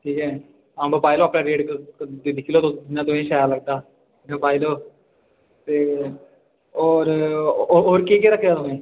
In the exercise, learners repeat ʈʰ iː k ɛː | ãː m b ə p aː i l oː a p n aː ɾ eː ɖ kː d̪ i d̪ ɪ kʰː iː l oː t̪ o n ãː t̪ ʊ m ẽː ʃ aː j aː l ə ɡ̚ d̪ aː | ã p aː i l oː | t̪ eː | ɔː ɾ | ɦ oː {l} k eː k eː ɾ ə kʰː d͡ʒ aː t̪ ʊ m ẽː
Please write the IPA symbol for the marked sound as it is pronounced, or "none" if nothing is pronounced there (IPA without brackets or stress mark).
ɾ